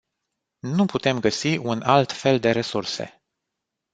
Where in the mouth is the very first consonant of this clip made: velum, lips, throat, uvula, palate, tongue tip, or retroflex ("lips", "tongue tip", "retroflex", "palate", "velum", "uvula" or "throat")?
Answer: tongue tip